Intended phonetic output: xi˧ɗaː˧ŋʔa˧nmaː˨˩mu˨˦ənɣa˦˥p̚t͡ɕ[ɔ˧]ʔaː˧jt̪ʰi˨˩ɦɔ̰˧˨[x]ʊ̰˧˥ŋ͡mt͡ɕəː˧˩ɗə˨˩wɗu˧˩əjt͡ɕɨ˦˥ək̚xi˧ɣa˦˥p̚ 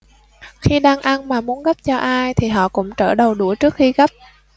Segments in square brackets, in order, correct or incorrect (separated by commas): correct, incorrect